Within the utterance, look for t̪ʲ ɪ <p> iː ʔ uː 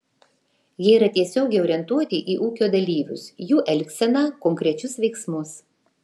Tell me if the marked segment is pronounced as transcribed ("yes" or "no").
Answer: no